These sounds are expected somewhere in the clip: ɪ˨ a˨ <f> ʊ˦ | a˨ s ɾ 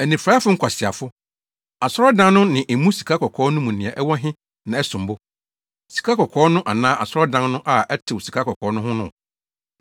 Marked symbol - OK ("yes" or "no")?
yes